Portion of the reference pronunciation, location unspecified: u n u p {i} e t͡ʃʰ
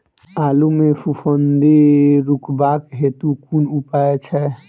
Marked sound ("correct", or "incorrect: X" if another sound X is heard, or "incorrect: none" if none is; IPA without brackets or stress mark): incorrect: a